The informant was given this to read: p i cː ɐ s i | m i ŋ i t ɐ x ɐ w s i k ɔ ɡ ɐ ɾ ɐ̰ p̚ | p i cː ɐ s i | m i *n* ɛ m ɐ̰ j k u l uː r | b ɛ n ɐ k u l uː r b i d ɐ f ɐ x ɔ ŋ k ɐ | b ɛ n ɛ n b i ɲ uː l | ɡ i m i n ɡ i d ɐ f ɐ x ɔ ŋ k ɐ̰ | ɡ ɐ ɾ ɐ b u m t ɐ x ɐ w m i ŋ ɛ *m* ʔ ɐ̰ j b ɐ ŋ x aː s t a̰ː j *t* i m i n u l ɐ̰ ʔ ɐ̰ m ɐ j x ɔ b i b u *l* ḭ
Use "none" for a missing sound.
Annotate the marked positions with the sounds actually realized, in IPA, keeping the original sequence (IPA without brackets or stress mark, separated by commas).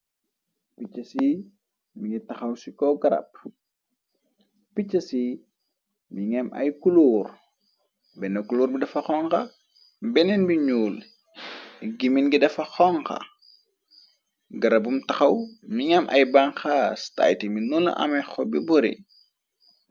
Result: ŋ, m, t, ɾ